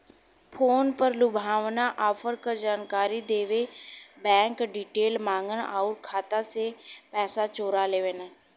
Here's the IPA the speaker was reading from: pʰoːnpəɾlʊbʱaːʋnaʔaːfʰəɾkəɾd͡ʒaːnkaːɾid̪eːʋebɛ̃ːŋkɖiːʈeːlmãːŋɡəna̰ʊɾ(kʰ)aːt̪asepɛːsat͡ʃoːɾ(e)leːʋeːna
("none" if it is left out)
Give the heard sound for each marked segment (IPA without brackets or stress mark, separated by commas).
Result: kʰ, a